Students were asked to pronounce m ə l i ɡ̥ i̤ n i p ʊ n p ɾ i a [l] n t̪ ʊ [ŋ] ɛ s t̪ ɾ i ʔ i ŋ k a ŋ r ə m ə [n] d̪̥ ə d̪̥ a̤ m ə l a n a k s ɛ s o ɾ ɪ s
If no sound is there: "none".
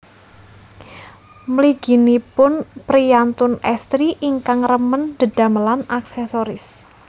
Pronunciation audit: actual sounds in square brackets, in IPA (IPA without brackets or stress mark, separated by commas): none, n, n